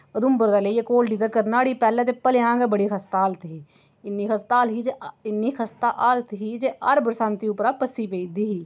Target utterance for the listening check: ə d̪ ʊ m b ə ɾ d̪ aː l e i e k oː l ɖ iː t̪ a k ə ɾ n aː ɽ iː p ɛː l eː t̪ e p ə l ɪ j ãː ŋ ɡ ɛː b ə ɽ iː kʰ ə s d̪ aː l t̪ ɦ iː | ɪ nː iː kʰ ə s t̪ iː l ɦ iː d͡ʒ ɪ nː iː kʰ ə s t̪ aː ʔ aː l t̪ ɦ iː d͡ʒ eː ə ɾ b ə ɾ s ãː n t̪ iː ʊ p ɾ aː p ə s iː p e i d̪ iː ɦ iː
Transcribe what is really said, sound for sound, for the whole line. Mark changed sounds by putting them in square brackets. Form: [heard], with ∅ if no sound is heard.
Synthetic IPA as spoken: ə d̪ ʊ m b ə ɾ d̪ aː l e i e k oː l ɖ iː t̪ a k ə ɾ n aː ɽ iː p ɛː l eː t̪ e p ə l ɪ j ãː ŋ ɡ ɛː b ə ɽ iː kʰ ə s [t̪] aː l t̪ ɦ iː | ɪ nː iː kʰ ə s t̪ [aː] l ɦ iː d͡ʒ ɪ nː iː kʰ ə s t̪ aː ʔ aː l t̪ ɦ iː d͡ʒ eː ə ɾ b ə ɾ s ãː n t̪ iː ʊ p ɾ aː p ə s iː p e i d̪ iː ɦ iː

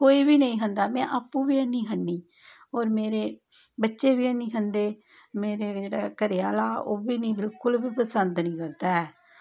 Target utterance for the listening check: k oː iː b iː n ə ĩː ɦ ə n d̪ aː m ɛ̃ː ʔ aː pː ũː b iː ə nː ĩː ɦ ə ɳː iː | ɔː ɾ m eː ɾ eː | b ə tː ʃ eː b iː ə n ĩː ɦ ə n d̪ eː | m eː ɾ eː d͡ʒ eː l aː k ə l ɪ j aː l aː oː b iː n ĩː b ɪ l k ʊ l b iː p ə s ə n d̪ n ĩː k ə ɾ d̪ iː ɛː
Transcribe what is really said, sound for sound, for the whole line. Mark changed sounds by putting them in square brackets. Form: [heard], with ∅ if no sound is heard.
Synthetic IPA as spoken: k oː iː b iː n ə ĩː ɦ ə n d̪ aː m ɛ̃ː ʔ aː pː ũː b iː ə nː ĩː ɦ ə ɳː iː | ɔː ɾ m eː ɾ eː | b ə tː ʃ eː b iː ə n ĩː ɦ ə n d̪ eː | m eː ɾ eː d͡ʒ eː [ɽ] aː k ə [ɾ] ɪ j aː l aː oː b iː n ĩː b ɪ l k ʊ l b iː p ə s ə n d̪ n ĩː k ə ɾ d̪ [aː] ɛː

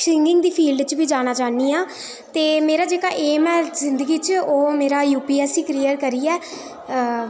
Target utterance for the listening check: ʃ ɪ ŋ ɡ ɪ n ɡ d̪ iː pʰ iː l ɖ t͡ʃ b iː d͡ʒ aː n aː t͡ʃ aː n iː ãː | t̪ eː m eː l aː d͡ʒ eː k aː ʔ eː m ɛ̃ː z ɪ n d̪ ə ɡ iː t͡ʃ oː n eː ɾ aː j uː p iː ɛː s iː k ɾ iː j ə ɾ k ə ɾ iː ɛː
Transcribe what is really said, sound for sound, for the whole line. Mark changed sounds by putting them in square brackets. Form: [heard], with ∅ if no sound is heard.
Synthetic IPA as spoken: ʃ ɪ ŋ ɡ ɪ [ŋ] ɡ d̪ iː pʰ iː l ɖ t͡ʃ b iː d͡ʒ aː n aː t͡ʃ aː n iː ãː | t̪ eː m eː [ɾ] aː d͡ʒ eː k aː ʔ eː m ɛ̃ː z ɪ n d̪ ə ɡ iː t͡ʃ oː [m] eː ɾ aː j uː p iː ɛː s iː k ɾ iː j ə ɾ k ə ɾ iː ɛː

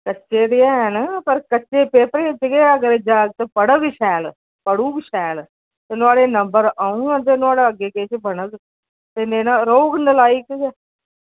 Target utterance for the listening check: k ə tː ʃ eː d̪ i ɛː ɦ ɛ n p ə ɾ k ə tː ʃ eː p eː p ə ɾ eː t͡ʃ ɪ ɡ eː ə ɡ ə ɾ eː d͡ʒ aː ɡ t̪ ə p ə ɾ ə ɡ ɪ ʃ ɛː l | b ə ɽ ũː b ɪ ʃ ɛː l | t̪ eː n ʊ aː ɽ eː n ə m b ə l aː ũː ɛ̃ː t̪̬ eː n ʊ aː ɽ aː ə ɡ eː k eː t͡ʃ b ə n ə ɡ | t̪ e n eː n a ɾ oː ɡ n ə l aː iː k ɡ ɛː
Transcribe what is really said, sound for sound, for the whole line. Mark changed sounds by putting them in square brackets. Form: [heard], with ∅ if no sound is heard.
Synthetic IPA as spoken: k ə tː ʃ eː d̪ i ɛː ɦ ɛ n p ə ɾ k ə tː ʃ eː p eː p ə ɾ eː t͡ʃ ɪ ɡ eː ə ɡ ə ɾ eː d͡ʒ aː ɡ t̪ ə p ə [ɽ] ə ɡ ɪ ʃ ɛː l | [p] ə ɽ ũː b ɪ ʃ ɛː l | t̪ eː n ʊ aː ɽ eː n ə m b ə [ɾ] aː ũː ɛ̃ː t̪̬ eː n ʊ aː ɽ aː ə ɡ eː k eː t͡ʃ b ə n ə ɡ | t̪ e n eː n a ɾ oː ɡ n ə l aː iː k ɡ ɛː

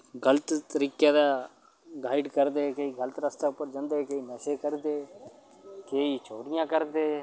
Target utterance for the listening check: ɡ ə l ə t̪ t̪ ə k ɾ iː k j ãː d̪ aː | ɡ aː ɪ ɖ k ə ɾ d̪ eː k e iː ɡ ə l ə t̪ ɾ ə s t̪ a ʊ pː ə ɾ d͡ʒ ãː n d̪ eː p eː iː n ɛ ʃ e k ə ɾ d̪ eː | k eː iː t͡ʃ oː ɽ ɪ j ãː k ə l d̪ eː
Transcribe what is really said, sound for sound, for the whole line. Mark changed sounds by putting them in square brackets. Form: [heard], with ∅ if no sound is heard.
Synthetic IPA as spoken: ɡ ə l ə t̪ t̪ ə [∅] ɾ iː k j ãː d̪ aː | ɡ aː ɪ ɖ k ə ɾ d̪ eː k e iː ɡ ə l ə t̪ ɾ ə s t̪ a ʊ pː ə ɾ d͡ʒ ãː n d̪ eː [k] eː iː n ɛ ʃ e k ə ɾ d̪ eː | k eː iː t͡ʃ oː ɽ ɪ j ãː k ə [ɾ] d̪ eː

